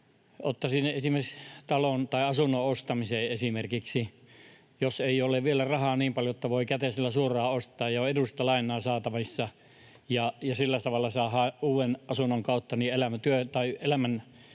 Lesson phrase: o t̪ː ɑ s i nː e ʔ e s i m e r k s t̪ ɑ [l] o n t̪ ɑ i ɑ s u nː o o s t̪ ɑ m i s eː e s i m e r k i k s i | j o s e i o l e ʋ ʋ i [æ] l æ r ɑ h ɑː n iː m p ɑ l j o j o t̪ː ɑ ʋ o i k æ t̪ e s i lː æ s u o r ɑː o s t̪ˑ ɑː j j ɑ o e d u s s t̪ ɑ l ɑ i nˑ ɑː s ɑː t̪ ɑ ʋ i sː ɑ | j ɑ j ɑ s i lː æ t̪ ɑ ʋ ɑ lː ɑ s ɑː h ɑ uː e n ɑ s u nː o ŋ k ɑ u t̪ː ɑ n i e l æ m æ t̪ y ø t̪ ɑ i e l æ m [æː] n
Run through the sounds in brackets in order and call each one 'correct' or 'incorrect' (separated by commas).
correct, incorrect, incorrect